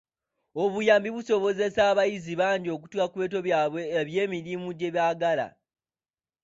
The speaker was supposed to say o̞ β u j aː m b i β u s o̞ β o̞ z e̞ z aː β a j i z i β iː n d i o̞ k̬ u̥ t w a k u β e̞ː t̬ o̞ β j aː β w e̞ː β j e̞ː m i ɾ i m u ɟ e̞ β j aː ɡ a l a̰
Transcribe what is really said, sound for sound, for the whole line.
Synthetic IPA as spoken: o̞ β u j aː m b i β u s o̞ β o̞ z e̞ s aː β a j i z i β aː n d i o̞ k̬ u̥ t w a k u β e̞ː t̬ o̞ β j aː β w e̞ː β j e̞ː m i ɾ i m u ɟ e̞ β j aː ɡ a l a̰